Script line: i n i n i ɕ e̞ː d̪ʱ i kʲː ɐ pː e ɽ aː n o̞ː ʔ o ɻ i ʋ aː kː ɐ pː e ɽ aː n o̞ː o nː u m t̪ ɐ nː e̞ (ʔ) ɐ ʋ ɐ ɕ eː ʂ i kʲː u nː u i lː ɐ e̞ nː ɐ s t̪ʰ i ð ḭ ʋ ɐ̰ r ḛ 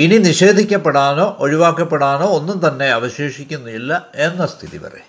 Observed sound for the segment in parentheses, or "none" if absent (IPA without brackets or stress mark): none